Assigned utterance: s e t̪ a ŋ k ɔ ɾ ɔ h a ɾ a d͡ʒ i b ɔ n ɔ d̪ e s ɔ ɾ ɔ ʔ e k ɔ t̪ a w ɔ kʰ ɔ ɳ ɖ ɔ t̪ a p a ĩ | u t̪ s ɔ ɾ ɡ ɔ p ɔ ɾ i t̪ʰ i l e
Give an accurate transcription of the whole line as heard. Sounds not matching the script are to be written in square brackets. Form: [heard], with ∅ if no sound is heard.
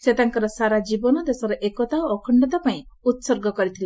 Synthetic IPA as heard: s e t̪ a ŋ k ɔ ɾ ɔ [s] a ɾ a d͡ʒ i b ɔ n ɔ d̪ e s ɔ ɾ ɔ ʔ e k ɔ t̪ a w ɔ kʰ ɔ ɳ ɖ ɔ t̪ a p a ĩ | u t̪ s ɔ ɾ ɡ ɔ [k] ɔ ɾ i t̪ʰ i l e

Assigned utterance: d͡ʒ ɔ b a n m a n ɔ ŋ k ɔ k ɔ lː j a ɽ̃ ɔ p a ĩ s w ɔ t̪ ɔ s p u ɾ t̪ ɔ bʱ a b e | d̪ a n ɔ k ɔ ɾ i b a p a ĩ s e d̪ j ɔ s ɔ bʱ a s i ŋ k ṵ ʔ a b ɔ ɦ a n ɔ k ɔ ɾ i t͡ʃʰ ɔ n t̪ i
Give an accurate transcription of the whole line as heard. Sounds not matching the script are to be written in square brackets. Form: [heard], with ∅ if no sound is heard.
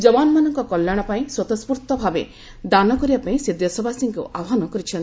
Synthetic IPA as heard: d͡ʒ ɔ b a n m a n ɔ ŋ k ɔ k ɔ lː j a ɽ̃ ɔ p a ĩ s w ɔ t̪ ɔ s p u ɾ t̪ ɔ bʱ a b e | d̪ a n ɔ k ɔ ɾ i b a p a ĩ s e d̪ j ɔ s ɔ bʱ a s i ŋ k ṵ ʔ a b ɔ ɦ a n ɔ k ɔ ɾ i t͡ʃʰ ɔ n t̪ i

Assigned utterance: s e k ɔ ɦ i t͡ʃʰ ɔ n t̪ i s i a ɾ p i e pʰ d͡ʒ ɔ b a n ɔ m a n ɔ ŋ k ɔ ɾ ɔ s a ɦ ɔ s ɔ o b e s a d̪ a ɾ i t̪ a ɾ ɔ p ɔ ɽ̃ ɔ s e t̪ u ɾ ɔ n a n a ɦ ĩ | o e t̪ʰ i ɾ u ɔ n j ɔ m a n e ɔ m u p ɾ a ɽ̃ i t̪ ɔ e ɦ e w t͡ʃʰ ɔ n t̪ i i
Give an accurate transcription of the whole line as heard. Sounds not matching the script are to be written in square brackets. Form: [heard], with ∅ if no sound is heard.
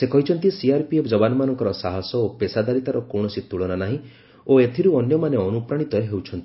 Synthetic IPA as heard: s e k ɔ ɦ i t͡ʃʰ ɔ n t̪ i s i a ɾ p i e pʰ d͡ʒ ɔ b a n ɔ m a n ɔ ŋ k ɔ ɾ ɔ s a ɦ ɔ s ɔ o [p] e s a d̪ a ɾ i t̪ a ɾ ɔ [k] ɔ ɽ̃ ɔ s [i] t̪ u [ɭ] ɔ n a n a ɦ ĩ | o e t̪ʰ i ɾ u ɔ n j ɔ m a n e ɔ [n] u p ɾ a ɽ̃ i t̪ ɔ e ɦ e w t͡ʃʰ ɔ n t̪ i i

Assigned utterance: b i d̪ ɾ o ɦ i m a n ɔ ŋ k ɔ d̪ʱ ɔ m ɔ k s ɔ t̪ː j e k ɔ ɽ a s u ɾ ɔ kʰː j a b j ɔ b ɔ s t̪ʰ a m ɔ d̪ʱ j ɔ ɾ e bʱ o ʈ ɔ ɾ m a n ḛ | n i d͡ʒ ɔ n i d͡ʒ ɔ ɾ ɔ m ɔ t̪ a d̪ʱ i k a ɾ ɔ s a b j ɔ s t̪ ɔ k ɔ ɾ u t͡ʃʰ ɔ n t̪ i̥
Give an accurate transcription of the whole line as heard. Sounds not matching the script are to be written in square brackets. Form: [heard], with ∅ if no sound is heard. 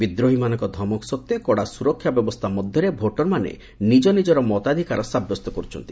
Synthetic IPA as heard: b i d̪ ɾ o ɦ i m a n ɔ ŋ k ɔ d̪ʱ ɔ m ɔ k s ɔ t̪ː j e k ɔ ɽ a s u ɾ ɔ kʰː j a b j ɔ b ɔ s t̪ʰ a m ɔ d̪ʱ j ɔ ɾ e bʱ o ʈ ɔ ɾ m a n ḛ | n i d͡ʒ ɔ n i d͡ʒ ɔ ɾ ɔ m ɔ t̪ a d̪ʱ i k a ɾ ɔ s a b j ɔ s t̪ ɔ k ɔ ɾ u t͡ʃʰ ɔ n t̪ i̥

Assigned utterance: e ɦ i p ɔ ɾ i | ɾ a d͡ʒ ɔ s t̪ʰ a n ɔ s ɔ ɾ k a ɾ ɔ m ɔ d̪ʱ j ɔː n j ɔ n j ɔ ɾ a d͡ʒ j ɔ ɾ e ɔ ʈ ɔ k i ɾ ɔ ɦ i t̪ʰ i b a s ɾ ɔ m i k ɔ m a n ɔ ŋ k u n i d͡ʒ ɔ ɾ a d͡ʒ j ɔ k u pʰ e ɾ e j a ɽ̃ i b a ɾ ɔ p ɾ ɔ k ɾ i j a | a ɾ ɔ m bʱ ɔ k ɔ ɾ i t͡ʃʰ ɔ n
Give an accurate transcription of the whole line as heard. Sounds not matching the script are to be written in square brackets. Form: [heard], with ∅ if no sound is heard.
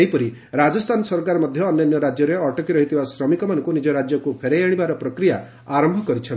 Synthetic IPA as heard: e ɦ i p ɔ ɾ i | ɾ a d͡ʒ ɔ s t̪ʰ a n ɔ s ɔ ɾ k a ɾ ɔ m ɔ d̪ʱ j ɔː n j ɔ n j ɔ ɾ a d͡ʒ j ɔ ɾ e ɔ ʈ ɔ k i ɾ ɔ ɦ i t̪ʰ i b a s ɾ ɔ m i k ɔ m a n ɔ ŋ k u n i d͡ʒ ɔ ɾ a d͡ʒ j ɔ k u pʰ e ɾ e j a ɽ̃ i b a ɾ ɔ p ɾ ɔ k ɾ i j a | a ɾ ɔ m bʱ ɔ k ɔ ɾ i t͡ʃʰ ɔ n

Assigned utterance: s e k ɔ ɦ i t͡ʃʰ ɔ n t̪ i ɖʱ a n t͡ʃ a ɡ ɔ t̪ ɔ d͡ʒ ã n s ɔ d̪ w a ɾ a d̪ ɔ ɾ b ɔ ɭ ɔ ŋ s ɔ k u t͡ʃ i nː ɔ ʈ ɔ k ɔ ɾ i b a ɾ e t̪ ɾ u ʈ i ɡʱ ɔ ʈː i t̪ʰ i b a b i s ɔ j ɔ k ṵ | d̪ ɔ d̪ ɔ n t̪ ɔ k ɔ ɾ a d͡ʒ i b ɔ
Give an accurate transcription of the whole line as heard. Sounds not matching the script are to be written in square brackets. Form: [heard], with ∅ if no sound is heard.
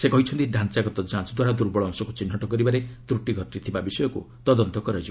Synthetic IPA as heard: s e k ɔ ɦ i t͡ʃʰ ɔ n t̪ i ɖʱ a n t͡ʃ a ɡ ɔ t̪ ɔ d͡ʒ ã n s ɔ d̪ w a ɾ a d̪ [u] ɾ b ɔ ɭ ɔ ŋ s ɔ k u t͡ʃ i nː ɔ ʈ ɔ k ɔ ɾ i b a ɾ e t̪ ɾ u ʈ i ɡʱ ɔ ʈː i t̪ʰ i b a b i s ɔ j ɔ k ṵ | [t̪] ɔ d̪ ɔ n t̪ ɔ k ɔ ɾ a d͡ʒ i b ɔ

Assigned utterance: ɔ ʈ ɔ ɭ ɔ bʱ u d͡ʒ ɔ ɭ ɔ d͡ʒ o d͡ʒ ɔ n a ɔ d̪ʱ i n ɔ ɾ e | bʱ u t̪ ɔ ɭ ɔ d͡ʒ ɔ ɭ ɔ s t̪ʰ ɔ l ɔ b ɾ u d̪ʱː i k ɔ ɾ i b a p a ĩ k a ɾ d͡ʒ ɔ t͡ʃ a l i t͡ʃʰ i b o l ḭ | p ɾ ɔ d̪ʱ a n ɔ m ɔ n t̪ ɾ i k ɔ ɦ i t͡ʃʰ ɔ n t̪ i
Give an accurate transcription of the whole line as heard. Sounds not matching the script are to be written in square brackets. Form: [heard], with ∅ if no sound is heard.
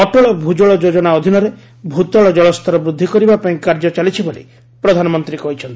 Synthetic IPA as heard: ɔ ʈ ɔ ɭ ɔ bʱ u d͡ʒ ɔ ɭ ɔ d͡ʒ o d͡ʒ ɔ n a ɔ d̪ʱ i n ɔ ɾ e | bʱ u t̪ ɔ ɭ ɔ d͡ʒ ɔ ɭ ɔ s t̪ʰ ɔ [ɾ] ɔ b ɾ u d̪ʱː i k ɔ ɾ i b a p a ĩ k a ɾ d͡ʒ ɔ t͡ʃ a l i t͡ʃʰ i b o l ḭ | p ɾ ɔ d̪ʱ a n ɔ m ɔ n t̪ ɾ i k ɔ ɦ i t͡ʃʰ ɔ n t̪ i

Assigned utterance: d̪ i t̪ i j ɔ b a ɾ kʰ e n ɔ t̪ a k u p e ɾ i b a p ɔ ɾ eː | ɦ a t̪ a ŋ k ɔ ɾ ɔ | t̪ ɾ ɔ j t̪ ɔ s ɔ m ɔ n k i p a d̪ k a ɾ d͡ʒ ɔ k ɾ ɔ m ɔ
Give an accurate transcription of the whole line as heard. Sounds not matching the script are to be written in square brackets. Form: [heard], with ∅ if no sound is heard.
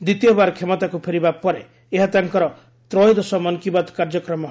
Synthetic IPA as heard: d̪ i t̪ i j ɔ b a ɾ kʰ e [m] ɔ t̪ a k u [pʰ] e ɾ i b a p ɔ ɾ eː | ɦ a t̪ a ŋ k ɔ ɾ ɔ | t̪ ɾ ɔ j [d̪] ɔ s ɔ m ɔ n k i [b] a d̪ k a ɾ d͡ʒ ɔ k ɾ ɔ m ɔ

